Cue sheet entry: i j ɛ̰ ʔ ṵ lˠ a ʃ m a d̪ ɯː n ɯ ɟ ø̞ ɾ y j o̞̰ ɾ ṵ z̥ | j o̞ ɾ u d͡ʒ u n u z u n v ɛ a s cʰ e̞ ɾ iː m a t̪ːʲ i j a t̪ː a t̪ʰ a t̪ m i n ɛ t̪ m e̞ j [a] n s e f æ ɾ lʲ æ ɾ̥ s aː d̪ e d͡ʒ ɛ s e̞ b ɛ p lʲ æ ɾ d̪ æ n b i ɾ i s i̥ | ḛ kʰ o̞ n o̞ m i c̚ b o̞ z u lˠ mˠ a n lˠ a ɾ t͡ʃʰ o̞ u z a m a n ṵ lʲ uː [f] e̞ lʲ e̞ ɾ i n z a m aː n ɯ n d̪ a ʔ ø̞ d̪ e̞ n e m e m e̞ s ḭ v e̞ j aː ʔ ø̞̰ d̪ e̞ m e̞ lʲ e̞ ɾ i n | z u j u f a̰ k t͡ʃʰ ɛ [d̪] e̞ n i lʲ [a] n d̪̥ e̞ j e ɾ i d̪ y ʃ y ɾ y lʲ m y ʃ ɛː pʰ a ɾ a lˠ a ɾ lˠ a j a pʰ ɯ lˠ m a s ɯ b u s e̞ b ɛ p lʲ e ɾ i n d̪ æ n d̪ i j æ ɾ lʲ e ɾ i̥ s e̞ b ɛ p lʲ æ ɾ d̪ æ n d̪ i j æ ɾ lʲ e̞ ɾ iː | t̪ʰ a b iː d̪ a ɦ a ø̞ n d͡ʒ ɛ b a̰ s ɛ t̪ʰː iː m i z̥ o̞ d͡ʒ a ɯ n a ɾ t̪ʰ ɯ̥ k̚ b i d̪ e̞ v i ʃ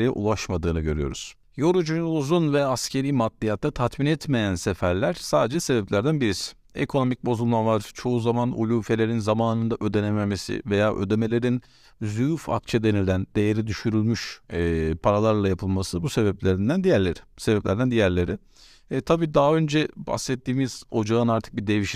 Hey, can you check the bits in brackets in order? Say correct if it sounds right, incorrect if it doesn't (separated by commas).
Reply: incorrect, correct, correct, incorrect